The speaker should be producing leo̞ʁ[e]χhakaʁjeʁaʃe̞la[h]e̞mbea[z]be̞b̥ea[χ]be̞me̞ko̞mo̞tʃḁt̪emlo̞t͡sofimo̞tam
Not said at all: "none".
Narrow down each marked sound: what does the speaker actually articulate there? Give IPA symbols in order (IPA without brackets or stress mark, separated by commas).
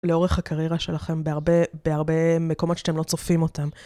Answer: e, χ, ʁ, ʁ